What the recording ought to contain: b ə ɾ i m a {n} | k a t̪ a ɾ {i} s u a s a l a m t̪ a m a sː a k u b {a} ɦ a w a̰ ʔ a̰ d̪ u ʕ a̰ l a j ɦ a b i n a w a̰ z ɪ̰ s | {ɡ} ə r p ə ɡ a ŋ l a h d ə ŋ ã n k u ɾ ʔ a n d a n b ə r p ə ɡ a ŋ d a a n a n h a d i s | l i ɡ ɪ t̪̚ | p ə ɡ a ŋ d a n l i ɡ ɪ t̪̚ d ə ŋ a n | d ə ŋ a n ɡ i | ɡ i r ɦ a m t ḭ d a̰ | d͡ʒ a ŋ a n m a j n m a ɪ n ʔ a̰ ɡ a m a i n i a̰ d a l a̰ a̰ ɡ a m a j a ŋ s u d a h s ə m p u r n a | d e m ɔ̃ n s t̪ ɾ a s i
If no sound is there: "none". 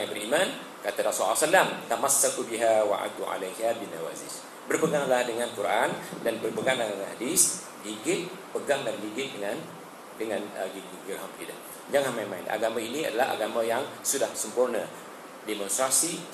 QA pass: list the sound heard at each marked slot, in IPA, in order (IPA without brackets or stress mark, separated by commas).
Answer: n, a, i, b